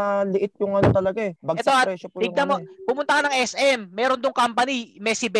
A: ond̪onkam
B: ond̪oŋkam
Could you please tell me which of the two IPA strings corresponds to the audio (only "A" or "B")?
B